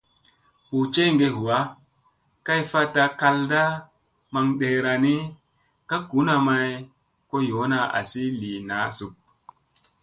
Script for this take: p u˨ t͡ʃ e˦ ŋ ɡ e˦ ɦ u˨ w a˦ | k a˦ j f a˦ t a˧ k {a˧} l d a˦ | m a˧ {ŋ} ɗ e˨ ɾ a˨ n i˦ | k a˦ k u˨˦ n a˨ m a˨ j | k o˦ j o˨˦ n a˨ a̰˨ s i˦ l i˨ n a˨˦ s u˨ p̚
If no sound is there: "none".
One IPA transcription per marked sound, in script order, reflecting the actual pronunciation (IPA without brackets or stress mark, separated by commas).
a˧, ŋ